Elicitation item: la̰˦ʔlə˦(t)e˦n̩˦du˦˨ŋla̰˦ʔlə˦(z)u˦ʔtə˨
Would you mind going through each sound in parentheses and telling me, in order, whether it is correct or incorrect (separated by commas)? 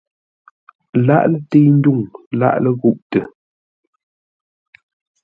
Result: correct, incorrect